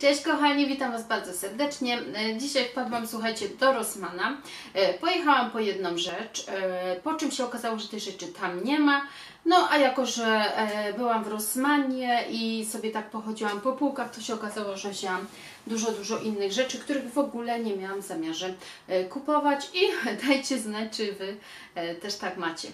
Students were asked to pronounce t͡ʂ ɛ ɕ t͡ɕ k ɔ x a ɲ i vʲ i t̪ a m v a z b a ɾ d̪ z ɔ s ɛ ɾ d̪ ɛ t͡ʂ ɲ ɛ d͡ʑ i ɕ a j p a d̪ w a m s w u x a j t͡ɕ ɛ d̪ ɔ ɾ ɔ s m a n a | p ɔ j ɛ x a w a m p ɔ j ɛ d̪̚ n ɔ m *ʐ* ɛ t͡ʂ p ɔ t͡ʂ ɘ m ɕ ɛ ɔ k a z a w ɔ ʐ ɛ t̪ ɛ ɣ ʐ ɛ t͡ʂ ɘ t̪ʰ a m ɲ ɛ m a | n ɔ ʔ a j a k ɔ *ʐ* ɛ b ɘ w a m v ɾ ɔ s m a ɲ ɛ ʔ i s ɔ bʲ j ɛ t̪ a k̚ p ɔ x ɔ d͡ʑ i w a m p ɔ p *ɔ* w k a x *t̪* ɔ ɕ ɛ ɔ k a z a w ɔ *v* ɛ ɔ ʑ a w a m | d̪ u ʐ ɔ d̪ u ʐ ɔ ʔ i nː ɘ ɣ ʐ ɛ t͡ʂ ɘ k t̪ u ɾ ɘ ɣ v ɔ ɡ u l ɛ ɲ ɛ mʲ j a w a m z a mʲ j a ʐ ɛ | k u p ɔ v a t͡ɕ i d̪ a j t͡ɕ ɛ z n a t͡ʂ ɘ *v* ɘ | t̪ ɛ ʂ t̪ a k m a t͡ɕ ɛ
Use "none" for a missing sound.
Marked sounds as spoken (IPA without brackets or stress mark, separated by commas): ʐ, ʐ, u, t̪, ʐ, v